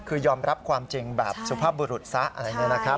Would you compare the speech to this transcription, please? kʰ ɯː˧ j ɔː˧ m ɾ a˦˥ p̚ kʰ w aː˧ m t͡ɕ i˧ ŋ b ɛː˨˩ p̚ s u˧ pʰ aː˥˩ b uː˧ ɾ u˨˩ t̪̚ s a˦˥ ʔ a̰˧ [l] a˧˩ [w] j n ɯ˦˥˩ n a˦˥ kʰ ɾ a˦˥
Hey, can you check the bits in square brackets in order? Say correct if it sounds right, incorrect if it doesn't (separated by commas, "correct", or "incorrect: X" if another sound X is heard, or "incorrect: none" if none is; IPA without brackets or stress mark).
incorrect: ɾ, incorrect: none